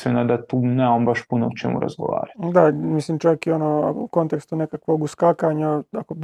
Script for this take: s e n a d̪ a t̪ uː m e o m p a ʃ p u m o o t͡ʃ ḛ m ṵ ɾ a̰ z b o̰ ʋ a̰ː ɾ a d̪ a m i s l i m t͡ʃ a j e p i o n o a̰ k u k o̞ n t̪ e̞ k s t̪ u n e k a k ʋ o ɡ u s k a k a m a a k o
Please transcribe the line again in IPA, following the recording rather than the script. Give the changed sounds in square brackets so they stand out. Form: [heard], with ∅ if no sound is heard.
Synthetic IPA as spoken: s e n a d̪ a t̪ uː [n] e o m [b] a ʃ p u [n] o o t͡ʃ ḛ m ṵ ɾ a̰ z [ɡ] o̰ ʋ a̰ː ɾ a d̪ a m i s l i m t͡ʃ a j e [k] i o n o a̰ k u k o̞ n t̪ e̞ k s t̪ u n e k a k ʋ o ɡ u s k a k a [ɲ] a a k o